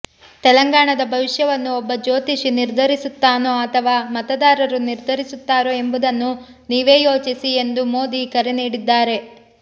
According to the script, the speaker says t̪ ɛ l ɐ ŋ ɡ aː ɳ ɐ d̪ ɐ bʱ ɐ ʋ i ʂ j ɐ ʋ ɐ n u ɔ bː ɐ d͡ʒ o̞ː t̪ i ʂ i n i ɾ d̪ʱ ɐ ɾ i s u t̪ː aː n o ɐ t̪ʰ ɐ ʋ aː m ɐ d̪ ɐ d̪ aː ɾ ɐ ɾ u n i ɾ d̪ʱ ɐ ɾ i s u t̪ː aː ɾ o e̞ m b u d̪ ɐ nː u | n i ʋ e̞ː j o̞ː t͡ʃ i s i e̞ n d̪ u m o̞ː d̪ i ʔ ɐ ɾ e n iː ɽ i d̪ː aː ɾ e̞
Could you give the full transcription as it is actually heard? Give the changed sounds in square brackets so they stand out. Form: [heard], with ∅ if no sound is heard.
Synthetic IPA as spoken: t̪ ɛ l ɐ ŋ ɡ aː ɳ ɐ d̪ ɐ bʱ ɐ ʋ i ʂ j ɐ ʋ ɐ [nː] u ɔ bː ɐ d͡ʒ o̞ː t̪ i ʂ i n i ɾ d̪ʱ ɐ ɾ i s u t̪ː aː n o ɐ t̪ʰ ɐ ʋ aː m ɐ [t̪] ɐ d̪ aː ɾ ɐ ɾ u n i ɾ d̪ʱ ɐ ɾ i s u t̪ː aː ɾ o e̞ m b u d̪ ɐ nː u | n [iː] ʋ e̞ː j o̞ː t͡ʃ i s i e̞ n d̪ u m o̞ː d̪ i [k] ɐ ɾ e n iː ɽ i d̪ː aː ɾ e̞